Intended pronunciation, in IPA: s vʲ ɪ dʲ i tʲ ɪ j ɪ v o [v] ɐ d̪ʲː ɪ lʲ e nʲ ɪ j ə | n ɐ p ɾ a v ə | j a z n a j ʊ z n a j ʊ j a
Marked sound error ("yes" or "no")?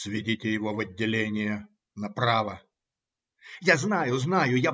no